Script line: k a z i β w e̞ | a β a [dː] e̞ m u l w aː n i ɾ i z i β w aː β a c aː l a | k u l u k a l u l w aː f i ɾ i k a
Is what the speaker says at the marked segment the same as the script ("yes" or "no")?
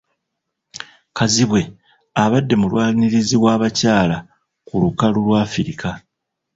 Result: yes